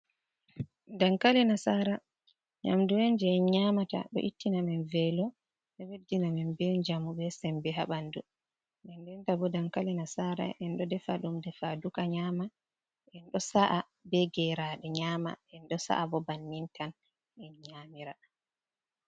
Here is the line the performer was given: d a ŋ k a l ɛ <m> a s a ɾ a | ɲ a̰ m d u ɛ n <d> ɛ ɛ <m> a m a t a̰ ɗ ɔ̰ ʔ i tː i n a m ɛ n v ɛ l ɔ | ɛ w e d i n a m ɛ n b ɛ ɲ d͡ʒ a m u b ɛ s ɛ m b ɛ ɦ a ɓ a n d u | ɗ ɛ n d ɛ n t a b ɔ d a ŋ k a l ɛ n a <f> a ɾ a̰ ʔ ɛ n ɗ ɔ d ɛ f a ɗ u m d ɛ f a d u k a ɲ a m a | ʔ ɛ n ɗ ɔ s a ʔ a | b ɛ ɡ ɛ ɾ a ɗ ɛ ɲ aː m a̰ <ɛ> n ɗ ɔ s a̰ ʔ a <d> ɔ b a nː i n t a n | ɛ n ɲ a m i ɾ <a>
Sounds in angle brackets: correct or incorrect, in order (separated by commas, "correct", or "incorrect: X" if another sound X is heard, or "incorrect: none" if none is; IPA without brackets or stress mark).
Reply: incorrect: n, incorrect: d͡ʒ, incorrect: ɲ, incorrect: s, correct, incorrect: b, correct